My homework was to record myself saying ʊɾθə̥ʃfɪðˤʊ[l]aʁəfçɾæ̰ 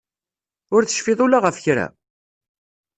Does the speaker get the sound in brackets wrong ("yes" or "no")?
no